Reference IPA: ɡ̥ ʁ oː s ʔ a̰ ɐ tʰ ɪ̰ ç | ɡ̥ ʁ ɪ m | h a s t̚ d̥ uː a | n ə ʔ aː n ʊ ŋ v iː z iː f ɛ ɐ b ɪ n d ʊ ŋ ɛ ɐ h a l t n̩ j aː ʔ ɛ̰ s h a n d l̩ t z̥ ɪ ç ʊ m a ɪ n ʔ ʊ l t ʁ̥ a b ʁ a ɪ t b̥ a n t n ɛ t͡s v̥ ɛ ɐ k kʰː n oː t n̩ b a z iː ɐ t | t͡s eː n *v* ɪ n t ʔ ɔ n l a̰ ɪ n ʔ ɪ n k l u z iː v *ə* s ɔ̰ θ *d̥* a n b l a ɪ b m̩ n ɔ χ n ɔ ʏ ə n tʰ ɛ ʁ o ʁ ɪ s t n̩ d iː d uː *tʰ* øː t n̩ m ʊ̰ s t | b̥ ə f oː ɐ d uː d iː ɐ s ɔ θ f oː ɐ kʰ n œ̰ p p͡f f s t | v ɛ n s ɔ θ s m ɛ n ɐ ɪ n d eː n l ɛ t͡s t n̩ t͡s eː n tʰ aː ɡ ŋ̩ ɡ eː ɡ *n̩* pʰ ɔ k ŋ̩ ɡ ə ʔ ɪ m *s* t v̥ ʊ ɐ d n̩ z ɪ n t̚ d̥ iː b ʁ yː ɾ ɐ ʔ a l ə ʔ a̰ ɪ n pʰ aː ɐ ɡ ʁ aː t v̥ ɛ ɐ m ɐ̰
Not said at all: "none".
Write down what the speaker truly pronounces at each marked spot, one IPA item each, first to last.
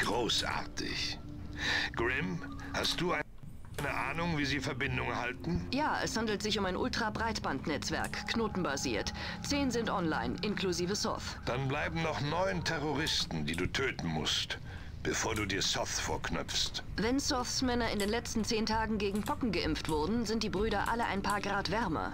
z, ə, d̥, tʰ, ŋ̩, f

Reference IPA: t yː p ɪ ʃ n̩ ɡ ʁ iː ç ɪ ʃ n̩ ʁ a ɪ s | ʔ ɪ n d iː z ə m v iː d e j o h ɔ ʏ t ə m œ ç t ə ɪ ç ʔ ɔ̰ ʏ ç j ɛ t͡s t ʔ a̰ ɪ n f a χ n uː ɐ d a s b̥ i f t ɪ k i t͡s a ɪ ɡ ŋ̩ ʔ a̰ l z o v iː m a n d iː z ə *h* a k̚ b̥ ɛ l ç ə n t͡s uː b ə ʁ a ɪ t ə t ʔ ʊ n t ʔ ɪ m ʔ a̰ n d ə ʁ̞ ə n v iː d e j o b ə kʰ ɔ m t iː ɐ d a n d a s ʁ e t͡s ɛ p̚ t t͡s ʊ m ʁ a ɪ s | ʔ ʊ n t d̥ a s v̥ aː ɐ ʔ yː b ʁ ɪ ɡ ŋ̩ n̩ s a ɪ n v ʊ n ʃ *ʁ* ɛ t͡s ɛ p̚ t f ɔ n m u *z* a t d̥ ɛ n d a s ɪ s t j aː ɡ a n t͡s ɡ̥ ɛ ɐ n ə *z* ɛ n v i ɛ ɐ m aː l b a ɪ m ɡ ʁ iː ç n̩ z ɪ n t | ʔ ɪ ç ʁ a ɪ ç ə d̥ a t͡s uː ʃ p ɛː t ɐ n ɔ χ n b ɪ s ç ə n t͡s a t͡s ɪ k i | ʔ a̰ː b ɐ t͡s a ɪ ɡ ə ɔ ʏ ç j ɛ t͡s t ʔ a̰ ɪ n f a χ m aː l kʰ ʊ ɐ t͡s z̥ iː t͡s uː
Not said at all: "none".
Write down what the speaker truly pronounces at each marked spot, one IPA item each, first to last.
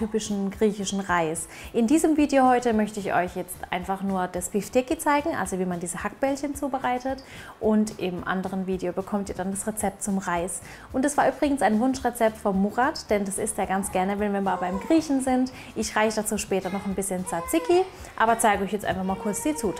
h, ʁ, ʁ, v

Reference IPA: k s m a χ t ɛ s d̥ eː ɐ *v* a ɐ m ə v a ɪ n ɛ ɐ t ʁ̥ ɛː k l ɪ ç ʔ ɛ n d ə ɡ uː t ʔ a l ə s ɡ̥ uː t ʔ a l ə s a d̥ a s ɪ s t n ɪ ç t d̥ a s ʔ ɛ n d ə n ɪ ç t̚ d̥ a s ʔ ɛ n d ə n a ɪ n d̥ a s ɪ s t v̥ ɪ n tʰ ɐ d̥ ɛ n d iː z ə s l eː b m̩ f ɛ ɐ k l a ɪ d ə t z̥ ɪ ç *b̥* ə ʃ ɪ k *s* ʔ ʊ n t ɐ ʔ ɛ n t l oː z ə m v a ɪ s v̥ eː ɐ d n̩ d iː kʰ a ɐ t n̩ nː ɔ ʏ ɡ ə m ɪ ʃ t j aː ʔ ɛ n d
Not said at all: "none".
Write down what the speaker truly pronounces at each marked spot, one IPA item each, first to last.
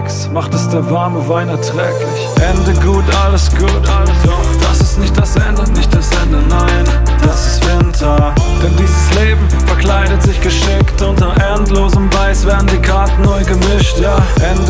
v, ɡ̥, t

